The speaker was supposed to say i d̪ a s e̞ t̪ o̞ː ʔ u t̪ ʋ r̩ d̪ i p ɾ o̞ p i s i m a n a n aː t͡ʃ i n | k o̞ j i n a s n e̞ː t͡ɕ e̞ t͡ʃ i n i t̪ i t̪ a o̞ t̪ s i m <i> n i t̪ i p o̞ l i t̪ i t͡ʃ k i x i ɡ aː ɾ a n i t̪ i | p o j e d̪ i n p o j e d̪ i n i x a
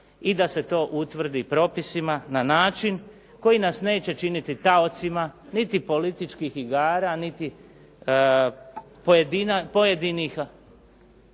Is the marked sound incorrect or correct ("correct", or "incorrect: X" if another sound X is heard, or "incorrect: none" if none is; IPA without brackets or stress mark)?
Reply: incorrect: a